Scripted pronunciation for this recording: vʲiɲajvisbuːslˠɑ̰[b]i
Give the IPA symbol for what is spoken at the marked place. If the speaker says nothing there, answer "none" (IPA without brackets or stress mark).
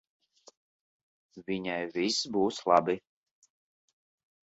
b